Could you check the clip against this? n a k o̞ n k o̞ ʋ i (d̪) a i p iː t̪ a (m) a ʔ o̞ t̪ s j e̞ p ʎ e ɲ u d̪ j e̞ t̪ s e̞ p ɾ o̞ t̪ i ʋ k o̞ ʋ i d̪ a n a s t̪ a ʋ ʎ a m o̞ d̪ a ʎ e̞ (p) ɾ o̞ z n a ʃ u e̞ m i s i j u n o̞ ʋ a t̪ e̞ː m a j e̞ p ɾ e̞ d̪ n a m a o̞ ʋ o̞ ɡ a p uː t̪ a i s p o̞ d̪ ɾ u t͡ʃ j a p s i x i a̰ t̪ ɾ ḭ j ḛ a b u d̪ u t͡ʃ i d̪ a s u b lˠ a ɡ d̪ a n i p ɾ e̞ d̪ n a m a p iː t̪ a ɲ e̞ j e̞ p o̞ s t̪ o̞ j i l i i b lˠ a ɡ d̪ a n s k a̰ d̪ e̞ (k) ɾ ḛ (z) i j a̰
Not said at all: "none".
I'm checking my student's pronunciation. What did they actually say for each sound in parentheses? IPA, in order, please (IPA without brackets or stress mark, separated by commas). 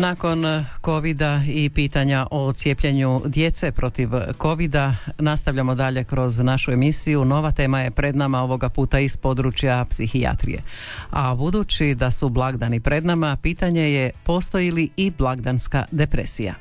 d̪, ɲ, k, p, s